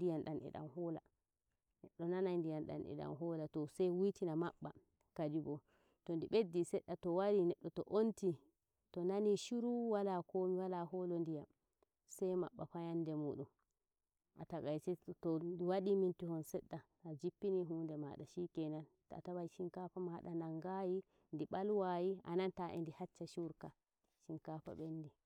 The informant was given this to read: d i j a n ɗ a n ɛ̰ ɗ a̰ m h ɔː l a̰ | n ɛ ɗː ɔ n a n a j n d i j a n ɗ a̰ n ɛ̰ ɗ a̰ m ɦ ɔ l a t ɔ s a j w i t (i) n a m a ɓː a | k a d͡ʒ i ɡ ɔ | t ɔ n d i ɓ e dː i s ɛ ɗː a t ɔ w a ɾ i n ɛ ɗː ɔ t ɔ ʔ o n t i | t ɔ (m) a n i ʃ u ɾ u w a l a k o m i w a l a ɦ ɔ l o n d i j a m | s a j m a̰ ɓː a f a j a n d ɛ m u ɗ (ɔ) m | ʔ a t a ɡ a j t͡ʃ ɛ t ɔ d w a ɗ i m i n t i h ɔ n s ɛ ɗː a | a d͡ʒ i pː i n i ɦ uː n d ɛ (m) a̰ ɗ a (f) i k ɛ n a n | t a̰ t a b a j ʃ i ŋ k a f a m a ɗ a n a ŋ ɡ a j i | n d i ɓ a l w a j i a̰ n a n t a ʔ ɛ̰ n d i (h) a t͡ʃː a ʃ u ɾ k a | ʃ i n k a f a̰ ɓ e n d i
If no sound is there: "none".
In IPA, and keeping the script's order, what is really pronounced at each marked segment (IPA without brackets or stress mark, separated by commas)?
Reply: i, n, u, m, ʃ, h